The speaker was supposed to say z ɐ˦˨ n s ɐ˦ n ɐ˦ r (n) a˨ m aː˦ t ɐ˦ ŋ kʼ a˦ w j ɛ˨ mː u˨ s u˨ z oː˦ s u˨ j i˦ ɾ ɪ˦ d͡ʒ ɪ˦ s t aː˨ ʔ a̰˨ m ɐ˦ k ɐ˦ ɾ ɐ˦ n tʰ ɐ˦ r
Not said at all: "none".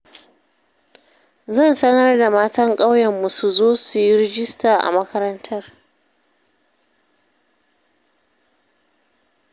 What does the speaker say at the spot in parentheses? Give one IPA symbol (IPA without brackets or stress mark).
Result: d